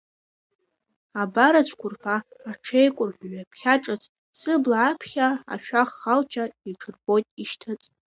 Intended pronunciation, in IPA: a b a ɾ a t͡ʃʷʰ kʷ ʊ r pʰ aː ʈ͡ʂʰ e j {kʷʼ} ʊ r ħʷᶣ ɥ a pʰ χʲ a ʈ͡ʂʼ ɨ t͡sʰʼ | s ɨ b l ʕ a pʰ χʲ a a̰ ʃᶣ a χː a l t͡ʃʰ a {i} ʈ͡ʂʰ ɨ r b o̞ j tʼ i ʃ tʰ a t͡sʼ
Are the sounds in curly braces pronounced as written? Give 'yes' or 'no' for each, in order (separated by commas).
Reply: yes, yes